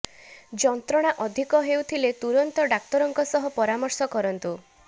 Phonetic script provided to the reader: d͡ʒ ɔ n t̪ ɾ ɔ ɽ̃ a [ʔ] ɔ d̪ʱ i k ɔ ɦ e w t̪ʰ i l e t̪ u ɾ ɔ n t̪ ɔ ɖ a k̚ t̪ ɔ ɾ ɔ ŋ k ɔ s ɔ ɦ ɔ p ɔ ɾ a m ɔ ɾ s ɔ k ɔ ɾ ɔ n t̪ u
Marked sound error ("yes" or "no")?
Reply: no